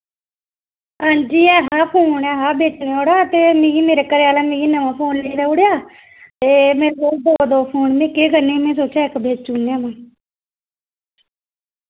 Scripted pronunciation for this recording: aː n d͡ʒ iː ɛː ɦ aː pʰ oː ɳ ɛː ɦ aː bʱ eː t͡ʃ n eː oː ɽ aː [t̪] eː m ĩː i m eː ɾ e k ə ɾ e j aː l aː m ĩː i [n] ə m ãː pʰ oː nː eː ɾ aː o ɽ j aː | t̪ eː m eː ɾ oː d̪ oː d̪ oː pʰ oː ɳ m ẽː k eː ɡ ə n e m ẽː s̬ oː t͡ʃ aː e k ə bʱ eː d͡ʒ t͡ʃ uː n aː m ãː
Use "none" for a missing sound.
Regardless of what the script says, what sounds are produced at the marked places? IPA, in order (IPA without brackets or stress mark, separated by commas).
t̪, n